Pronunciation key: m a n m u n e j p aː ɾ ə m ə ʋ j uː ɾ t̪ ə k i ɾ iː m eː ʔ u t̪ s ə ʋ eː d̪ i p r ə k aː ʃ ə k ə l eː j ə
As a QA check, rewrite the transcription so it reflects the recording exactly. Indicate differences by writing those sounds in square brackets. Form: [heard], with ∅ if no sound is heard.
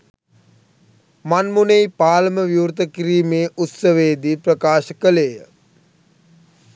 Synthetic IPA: m a n m u n e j p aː [l] ə m ə ʋ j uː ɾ t̪ ə k i ɾ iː m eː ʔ u t̪ s ə ʋ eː d̪ i p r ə k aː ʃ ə k ə l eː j ə